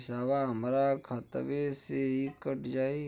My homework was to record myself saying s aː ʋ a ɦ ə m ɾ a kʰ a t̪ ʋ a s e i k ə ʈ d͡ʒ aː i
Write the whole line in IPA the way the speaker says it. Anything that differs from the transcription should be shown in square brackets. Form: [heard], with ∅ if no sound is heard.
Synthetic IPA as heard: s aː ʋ a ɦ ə m ɾ a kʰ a t̪ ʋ [e] s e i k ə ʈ d͡ʒ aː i